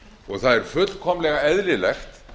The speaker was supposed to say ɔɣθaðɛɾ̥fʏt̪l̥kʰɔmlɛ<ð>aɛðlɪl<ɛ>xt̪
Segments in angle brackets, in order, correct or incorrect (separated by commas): incorrect, correct